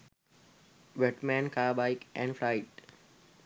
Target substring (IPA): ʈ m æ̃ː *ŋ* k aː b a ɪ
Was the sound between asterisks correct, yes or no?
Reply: no